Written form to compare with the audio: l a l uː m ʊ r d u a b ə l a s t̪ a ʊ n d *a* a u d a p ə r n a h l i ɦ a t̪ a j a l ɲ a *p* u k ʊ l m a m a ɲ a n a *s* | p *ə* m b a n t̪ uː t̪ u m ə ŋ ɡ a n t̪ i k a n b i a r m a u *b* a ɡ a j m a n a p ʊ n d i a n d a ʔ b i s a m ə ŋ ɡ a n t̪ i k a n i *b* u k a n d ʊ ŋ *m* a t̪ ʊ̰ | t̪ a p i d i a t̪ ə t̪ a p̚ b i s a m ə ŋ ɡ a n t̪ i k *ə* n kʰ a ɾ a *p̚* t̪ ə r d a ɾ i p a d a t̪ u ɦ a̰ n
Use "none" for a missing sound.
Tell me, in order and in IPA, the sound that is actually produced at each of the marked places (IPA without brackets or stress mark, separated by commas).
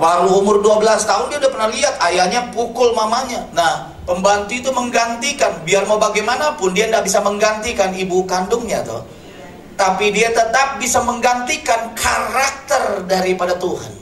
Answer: i, p, h, ə, b, b, ɲ, a, k̚